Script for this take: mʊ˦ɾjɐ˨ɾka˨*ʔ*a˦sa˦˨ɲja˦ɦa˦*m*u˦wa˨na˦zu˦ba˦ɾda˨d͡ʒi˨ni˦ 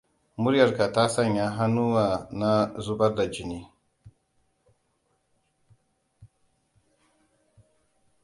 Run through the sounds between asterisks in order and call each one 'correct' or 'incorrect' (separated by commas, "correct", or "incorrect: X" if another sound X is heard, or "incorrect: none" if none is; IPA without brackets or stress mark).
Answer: incorrect: t, incorrect: n